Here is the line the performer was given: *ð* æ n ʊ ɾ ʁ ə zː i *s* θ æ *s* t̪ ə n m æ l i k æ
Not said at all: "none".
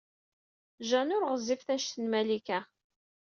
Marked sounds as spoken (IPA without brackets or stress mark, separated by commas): ʒ, f, ʃ